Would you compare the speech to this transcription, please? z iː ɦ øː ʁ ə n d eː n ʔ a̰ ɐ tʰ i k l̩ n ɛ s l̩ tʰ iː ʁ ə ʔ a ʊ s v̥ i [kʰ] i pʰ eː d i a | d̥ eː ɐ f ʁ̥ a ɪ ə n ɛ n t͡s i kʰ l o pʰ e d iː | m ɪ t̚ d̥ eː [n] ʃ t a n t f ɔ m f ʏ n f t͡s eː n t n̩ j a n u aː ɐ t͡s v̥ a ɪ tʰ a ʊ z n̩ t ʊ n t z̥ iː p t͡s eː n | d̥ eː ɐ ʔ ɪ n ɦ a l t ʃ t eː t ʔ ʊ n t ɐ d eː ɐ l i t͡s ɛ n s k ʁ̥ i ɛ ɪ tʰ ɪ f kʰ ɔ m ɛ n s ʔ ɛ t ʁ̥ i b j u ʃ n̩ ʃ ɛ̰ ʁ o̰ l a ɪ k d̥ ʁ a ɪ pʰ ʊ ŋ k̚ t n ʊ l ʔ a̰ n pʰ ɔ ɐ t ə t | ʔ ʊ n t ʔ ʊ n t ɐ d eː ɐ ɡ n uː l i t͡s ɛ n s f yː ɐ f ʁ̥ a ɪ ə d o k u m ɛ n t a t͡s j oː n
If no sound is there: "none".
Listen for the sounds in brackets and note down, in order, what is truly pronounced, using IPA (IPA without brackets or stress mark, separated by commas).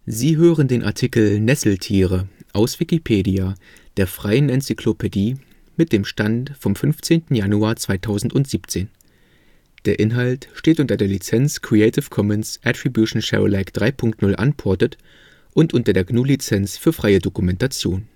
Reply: k, m